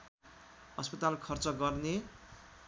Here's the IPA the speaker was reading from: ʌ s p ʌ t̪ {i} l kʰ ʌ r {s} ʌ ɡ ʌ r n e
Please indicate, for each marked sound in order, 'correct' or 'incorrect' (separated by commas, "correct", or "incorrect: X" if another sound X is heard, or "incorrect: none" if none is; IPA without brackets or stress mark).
incorrect: a, incorrect: t͡s